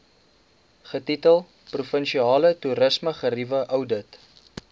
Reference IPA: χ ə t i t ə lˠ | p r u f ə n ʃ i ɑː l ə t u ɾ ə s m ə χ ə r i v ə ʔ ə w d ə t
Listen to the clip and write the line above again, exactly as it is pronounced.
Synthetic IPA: χ ə t i t ə lˠ | p r u f ə n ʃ i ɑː l ə t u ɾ ə s m ə χ ə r i v ə ʔ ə w d ə t